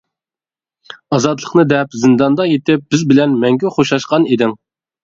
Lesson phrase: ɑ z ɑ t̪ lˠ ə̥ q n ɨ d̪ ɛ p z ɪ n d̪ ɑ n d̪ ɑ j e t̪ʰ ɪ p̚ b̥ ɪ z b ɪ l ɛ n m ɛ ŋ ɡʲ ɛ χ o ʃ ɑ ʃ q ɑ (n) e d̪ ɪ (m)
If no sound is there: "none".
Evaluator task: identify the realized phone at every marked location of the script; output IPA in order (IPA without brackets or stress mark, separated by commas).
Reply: n, ŋ